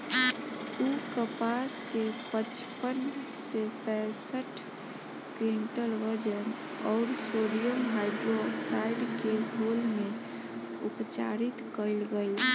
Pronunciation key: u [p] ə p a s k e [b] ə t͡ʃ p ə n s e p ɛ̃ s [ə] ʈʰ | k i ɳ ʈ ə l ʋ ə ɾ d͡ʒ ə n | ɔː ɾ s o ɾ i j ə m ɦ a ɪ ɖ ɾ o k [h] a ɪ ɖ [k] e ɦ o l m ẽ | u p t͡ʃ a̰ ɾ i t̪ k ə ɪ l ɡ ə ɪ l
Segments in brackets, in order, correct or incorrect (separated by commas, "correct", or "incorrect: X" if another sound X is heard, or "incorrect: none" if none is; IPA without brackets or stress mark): incorrect: k, incorrect: p, correct, incorrect: s, correct